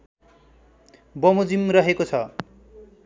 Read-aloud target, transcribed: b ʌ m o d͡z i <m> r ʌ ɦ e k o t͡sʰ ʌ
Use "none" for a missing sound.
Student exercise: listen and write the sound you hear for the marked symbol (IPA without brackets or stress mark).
m